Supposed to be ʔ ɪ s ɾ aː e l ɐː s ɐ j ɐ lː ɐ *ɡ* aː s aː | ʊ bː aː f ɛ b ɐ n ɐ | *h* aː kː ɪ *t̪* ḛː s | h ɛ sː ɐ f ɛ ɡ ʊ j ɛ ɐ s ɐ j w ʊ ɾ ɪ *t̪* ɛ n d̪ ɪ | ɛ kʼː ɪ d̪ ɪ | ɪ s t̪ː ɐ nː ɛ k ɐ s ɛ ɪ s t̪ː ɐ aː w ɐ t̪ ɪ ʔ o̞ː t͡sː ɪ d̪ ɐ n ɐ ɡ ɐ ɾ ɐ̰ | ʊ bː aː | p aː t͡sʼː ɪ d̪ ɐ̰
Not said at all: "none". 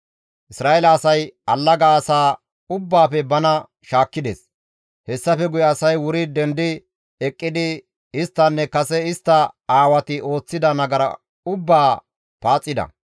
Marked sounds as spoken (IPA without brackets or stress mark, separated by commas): ɡ, ʃ, d̪, d̪